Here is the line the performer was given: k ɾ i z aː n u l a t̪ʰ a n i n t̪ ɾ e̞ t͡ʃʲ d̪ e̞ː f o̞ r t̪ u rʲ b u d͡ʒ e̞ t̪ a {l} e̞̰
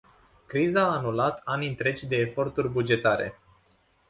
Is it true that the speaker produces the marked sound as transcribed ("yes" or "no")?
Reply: no